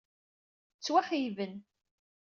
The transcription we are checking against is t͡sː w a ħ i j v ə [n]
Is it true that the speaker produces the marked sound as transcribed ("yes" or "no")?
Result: yes